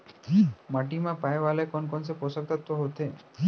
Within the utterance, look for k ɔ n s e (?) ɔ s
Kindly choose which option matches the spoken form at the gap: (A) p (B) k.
A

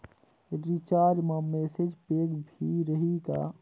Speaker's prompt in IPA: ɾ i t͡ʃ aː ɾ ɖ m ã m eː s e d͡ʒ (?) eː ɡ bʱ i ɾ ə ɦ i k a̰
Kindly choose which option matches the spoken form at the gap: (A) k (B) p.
B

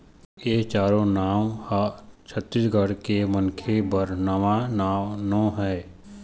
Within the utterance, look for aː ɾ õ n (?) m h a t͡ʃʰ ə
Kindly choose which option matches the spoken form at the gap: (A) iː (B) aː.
B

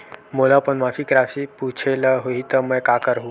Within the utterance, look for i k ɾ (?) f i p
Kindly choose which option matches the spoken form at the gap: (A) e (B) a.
B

